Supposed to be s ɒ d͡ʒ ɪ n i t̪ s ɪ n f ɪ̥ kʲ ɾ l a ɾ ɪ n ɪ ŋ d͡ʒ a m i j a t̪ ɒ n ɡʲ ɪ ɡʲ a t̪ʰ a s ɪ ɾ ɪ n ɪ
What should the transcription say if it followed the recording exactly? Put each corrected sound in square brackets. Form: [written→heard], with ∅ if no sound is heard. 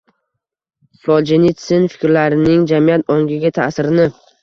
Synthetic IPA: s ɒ d͡ʒ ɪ n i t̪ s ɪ n f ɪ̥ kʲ ɾ l a ɾ ɪ n ɪ ŋ d͡ʒ a m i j a t̪ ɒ [n→ŋ] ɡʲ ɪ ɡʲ a t̪ʰ a s ɪ ɾ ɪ n ɪ